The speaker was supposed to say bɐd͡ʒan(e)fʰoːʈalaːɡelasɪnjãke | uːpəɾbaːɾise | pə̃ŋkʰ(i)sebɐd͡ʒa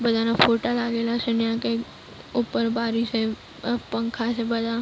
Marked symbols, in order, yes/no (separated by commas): no, no